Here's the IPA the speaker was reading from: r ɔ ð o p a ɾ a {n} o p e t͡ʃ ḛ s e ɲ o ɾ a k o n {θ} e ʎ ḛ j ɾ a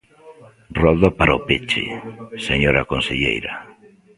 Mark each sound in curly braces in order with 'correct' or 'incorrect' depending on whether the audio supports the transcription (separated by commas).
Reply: incorrect, incorrect